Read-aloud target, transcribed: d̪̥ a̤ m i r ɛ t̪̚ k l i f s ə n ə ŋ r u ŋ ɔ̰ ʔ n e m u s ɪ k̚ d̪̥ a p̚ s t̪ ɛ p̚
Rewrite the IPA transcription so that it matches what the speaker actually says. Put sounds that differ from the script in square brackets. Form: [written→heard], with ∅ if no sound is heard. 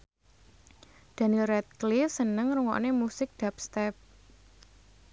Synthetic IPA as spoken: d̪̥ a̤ [m→n] i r ɛ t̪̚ k l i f s ə n ə ŋ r u ŋ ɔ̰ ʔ n e m u s ɪ k̚ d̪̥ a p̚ s t̪ ɛ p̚